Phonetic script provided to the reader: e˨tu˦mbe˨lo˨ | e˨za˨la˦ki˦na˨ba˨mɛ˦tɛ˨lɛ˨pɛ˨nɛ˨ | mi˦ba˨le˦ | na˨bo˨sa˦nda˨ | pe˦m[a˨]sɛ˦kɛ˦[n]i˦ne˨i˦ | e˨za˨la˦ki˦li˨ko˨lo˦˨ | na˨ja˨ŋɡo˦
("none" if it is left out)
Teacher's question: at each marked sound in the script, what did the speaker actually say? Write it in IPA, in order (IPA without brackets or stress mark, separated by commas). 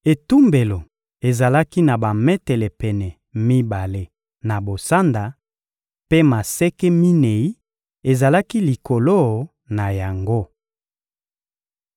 a˨, m